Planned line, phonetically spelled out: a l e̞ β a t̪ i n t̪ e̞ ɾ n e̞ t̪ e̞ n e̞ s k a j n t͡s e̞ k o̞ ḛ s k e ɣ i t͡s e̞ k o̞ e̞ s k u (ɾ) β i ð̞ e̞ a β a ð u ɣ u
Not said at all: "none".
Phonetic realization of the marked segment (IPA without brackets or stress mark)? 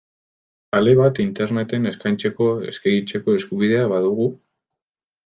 none